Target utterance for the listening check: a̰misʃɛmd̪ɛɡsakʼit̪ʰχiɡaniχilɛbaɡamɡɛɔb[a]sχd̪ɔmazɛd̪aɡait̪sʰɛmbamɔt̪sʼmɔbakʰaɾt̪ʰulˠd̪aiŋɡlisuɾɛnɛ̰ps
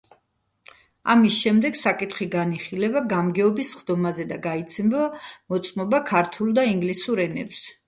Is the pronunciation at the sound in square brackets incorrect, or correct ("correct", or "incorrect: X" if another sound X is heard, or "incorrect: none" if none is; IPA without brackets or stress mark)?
incorrect: i